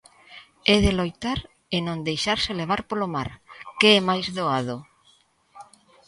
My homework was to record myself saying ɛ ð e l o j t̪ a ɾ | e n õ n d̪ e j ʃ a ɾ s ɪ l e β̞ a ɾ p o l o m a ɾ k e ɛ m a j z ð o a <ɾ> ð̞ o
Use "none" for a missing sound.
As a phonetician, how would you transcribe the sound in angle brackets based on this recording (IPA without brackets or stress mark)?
none